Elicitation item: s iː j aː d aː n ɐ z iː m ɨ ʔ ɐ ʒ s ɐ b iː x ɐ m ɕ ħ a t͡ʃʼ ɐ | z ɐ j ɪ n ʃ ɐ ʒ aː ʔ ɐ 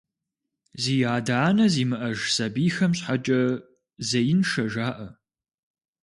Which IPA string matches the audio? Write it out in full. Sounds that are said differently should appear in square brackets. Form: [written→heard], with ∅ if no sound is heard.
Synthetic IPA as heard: [s→z] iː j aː d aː n ɐ z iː m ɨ ʔ ɐ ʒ s ɐ b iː x ɐ m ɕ ħ a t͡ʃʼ ɐ | z ɐ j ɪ n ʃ ɐ ʒ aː ʔ ɐ